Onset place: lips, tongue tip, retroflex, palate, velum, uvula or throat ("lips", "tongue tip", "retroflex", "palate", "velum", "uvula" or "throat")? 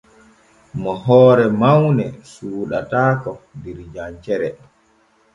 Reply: lips